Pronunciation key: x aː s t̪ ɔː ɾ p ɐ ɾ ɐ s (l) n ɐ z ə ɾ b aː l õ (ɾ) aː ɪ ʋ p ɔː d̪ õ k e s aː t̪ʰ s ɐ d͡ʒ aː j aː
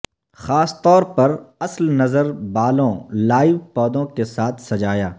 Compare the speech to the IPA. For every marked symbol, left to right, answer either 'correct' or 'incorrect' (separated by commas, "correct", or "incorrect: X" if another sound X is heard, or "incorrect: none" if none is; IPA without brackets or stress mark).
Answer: correct, incorrect: l